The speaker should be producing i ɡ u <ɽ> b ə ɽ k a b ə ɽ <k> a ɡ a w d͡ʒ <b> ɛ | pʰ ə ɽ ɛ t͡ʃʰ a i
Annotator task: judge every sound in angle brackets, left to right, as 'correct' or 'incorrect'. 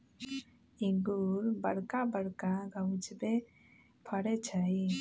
incorrect, correct, correct

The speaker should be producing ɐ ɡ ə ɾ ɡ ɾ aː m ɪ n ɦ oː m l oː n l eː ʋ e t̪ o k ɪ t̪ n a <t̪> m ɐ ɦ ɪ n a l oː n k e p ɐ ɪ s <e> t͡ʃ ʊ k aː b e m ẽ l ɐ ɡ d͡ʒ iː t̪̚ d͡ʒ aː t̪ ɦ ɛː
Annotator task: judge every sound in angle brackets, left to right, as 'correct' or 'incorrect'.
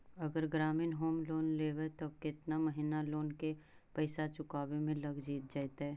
incorrect, incorrect

